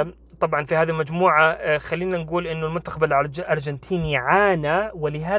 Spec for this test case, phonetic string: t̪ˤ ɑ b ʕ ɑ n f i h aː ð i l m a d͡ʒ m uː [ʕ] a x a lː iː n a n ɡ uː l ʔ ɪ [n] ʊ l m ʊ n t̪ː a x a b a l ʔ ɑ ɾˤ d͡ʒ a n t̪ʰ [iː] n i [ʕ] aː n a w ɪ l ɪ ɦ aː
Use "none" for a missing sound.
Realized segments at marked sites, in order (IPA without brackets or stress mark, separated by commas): ʕ, nː, iː, ʕ